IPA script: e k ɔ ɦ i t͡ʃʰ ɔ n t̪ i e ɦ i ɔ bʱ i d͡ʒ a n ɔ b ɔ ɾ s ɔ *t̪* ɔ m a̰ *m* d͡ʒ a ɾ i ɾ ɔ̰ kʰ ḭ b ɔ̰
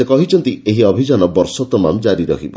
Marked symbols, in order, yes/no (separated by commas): yes, yes